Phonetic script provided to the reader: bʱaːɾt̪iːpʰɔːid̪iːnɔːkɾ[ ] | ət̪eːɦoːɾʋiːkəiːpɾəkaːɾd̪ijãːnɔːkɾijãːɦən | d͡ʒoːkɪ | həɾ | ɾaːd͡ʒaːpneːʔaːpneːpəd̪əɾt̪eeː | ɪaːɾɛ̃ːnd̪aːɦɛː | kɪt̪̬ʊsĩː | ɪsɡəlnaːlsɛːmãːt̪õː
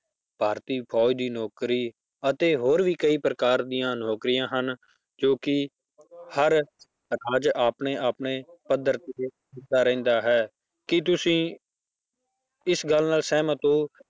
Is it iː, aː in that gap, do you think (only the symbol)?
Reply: iː